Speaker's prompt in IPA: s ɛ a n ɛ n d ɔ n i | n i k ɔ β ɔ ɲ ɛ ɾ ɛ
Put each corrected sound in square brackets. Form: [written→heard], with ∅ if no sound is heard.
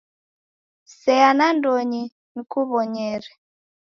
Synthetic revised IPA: s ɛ a n [ɛ→a] n d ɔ [n→ɲ] i | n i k [ɔ→u] β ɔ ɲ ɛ ɾ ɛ